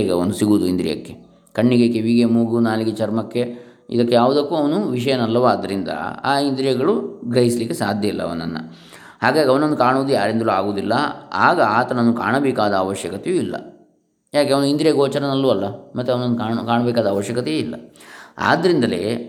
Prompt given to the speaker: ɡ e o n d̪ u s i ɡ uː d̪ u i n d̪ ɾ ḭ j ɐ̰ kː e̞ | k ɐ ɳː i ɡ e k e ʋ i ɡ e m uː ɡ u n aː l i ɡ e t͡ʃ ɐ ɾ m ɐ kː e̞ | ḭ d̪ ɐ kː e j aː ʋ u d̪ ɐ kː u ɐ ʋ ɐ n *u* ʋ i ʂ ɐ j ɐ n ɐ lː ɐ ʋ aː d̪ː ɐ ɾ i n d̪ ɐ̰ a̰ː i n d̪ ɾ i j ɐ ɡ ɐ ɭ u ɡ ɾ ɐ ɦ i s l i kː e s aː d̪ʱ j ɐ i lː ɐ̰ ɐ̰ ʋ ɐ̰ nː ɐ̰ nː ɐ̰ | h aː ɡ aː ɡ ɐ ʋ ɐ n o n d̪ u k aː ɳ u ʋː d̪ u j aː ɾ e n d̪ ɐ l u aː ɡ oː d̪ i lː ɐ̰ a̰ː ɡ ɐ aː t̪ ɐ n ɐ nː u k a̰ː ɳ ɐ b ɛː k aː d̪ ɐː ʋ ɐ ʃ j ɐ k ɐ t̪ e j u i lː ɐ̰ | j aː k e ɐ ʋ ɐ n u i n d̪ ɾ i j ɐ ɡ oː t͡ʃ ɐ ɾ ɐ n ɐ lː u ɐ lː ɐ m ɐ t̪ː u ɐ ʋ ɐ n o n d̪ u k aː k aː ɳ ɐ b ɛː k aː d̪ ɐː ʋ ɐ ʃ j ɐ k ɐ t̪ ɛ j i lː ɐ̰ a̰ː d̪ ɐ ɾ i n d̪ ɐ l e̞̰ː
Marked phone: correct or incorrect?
correct